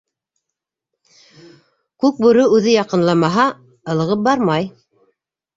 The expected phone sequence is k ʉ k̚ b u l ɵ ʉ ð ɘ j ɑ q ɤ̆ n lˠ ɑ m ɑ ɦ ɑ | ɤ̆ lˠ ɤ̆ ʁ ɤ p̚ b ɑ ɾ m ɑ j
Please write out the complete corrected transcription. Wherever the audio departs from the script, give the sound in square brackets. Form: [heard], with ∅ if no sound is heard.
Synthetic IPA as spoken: k ʉ k̚ b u [ɾ] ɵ ʉ ð ɘ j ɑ q ɤ̆ n lˠ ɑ m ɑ ɦ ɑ | ɤ̆ lˠ ɤ̆ ʁ ɤ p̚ b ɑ ɾ m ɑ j